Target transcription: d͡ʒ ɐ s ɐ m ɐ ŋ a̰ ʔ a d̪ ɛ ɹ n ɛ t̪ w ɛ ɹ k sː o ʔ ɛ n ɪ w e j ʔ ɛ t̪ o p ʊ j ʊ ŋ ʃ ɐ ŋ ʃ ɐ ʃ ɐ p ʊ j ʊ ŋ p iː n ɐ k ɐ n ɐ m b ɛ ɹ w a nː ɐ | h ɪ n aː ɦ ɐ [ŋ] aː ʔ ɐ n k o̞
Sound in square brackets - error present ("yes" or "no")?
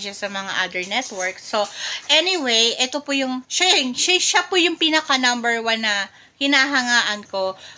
no